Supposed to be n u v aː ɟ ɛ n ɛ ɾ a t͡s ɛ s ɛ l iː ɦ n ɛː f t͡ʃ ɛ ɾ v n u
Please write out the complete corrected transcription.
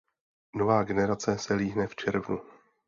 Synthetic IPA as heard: n o v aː ɡ ɛ n ɛ ɾ a t͡s ɛ s ɛ l iː ɦ n ɛ f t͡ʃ ɛ ɾ v n u